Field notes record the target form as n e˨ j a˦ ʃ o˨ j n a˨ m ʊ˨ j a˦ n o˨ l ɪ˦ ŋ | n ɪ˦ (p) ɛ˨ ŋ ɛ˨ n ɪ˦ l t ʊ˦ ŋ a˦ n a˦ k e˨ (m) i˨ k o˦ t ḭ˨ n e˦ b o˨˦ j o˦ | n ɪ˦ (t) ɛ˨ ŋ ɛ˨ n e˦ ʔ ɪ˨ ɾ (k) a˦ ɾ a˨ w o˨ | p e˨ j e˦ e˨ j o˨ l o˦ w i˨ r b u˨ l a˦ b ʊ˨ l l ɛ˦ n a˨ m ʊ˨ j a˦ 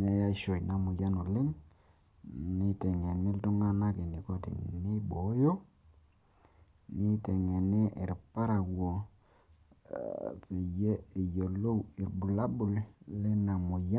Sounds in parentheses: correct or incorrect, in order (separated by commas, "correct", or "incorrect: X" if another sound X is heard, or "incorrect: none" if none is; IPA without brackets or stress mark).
incorrect: t, incorrect: n, correct, incorrect: p